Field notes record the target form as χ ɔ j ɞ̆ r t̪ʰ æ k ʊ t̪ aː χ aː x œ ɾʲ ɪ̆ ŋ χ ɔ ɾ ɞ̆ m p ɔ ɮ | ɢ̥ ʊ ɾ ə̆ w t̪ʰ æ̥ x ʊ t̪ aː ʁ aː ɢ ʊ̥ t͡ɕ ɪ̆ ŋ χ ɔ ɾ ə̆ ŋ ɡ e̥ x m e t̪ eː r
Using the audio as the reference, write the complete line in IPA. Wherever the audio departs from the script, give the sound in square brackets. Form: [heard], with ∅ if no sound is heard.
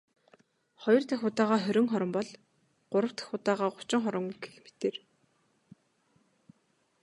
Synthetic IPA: χ ɔ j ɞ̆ r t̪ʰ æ [x] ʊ t̪ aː [ʁ] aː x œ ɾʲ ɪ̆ ŋ χ ɔ ɾ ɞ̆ m p ɔ ɮ | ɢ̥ ʊ ɾ ə̆ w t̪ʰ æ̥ x ʊ t̪ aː ʁ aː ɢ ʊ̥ t͡ɕ ɪ̆ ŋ χ ɔ ɾ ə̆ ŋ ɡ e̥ x m e t̪ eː r